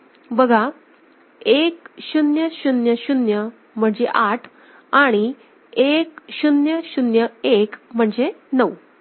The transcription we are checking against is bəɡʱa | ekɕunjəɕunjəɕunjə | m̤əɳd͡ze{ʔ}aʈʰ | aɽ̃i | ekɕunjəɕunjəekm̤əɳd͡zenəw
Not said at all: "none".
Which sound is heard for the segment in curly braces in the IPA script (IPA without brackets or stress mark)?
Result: ʔ